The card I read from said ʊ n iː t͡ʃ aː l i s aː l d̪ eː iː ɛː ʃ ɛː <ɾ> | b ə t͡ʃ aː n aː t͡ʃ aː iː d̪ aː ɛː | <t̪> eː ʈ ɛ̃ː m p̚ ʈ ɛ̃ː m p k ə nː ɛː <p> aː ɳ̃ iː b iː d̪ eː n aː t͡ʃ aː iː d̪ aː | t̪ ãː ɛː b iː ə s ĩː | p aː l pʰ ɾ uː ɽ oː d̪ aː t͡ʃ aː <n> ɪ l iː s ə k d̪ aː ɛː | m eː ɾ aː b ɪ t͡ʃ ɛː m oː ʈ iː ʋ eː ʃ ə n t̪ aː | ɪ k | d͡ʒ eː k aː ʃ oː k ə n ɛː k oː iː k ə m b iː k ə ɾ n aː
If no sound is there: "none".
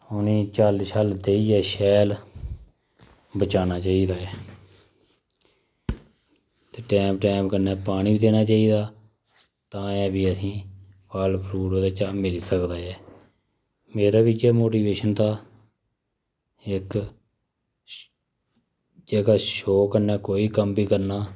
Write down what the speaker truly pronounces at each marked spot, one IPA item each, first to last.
l, t̪, p, m

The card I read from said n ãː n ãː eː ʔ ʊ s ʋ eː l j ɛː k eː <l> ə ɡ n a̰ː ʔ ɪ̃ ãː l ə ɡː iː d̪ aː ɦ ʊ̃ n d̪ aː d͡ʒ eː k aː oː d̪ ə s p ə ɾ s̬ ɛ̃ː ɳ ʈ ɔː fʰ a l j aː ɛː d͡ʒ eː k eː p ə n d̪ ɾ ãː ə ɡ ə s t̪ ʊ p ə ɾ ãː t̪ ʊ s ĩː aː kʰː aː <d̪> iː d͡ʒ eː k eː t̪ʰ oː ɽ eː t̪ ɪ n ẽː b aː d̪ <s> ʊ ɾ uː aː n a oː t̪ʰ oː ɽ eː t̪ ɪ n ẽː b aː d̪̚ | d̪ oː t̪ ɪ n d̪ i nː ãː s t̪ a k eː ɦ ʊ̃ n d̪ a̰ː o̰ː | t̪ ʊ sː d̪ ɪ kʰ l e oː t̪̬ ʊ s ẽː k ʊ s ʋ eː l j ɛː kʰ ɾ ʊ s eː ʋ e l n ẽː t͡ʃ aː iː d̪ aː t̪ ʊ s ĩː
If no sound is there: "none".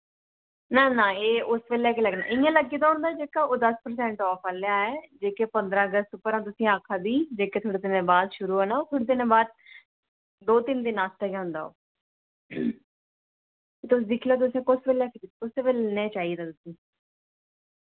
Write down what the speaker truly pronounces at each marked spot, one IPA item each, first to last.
l, d̪, ʃ

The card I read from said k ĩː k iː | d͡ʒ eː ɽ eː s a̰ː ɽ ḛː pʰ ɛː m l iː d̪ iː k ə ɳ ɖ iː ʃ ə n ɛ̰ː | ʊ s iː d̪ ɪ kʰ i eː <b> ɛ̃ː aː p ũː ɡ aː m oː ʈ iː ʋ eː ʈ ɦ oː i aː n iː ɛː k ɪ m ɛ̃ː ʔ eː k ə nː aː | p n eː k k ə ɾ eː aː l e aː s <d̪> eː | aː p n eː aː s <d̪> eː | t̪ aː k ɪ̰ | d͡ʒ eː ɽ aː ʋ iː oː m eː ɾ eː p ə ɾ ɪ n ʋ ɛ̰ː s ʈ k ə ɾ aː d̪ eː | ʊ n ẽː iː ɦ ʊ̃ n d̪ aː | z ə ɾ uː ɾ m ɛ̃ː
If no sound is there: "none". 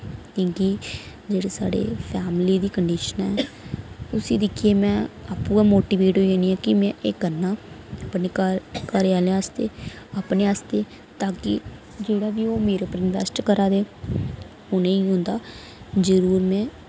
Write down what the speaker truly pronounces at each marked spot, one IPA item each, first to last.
m, t̪, t̪

